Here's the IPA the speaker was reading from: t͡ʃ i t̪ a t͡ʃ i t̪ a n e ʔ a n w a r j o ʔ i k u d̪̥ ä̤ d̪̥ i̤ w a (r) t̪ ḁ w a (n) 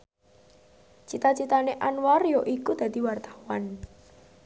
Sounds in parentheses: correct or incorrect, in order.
correct, correct

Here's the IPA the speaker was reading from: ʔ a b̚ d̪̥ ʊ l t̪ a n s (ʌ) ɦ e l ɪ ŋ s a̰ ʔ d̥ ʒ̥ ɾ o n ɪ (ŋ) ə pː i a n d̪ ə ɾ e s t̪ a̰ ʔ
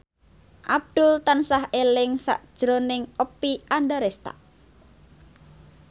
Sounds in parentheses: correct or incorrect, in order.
incorrect: a, correct

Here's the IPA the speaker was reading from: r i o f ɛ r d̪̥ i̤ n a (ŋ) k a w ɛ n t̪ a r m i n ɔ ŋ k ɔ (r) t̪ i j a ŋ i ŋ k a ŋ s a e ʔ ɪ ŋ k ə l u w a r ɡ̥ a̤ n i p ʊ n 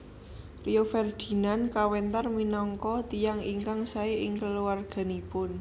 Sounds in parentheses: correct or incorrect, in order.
incorrect: n, incorrect: none

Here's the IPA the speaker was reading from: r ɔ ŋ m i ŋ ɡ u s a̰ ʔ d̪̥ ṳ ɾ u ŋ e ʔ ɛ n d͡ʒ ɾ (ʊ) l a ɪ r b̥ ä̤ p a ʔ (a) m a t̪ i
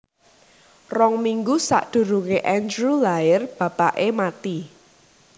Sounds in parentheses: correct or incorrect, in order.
incorrect: u, incorrect: e

